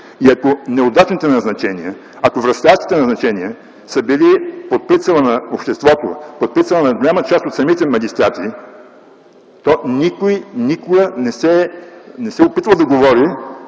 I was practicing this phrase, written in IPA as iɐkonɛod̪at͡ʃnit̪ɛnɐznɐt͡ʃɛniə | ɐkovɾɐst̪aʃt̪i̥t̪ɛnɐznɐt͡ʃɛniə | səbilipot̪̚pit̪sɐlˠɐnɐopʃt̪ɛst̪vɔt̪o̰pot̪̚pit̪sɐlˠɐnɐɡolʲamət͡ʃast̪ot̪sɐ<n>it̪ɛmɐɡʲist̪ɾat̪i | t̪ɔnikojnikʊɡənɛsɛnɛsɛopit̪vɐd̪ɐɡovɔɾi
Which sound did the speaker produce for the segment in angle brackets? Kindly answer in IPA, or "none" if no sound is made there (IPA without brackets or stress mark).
m